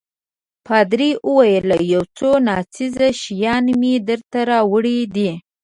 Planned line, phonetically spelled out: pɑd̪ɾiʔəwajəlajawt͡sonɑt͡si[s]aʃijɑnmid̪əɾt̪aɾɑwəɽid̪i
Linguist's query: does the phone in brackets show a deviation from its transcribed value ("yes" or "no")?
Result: yes